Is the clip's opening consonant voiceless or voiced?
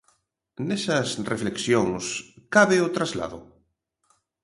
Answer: voiced